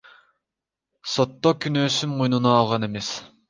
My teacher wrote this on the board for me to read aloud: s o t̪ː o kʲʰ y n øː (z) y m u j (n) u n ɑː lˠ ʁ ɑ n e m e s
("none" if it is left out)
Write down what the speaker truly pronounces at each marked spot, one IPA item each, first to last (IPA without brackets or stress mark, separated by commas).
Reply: s, n